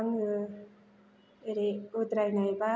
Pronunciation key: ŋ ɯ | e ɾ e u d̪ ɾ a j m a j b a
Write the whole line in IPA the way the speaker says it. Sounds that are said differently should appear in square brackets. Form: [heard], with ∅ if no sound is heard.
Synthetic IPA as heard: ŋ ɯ | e ɾ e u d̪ ɾ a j [n] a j b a